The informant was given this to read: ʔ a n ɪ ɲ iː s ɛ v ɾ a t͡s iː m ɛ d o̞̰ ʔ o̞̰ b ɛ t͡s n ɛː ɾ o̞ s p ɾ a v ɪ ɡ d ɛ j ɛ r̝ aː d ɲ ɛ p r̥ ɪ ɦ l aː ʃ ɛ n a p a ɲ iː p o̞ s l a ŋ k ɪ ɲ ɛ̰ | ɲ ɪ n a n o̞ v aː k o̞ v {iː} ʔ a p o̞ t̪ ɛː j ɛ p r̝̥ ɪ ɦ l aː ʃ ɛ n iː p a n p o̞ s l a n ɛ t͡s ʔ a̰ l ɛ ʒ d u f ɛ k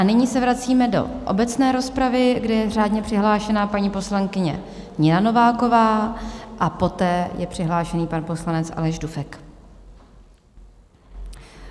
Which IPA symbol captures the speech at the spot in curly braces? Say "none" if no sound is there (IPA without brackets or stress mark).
aː